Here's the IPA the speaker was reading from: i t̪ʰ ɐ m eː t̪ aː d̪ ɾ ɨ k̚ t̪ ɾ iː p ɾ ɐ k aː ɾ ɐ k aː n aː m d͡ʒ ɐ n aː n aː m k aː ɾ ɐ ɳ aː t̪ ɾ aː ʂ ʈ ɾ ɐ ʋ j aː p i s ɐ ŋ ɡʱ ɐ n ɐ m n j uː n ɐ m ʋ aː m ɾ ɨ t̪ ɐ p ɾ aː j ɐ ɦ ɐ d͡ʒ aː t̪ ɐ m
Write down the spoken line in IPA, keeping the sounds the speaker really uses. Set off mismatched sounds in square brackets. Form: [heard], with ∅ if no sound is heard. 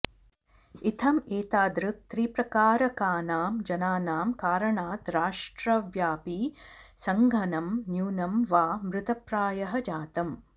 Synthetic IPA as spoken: i t̪ʰ ɐ m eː t̪ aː d̪ ɾ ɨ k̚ t̪ ɾ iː p ɾ ɐ k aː ɾ ɐ k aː n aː m d͡ʒ ɐ n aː n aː m k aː ɾ ɐ ɳ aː t̪ ɾ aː ʂ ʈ ɾ ɐ ʋ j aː p i s ɐ ŋ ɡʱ ɐ n ɐ m n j uː n ɐ m ʋ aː m ɾ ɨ t̪ ɐ p ɾ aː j ɐ ɦ ɐ d͡ʒ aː t̪ ɐ m